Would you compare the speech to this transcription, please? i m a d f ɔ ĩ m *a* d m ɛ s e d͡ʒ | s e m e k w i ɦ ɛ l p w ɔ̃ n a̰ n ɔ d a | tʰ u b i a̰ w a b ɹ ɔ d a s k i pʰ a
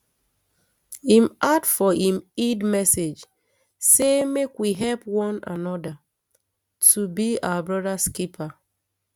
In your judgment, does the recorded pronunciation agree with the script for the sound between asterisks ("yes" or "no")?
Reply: no